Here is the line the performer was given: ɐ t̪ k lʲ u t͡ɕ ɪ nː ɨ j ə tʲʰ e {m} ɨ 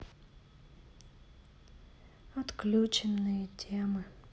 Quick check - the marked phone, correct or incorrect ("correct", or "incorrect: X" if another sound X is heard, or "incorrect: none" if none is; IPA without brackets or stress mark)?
correct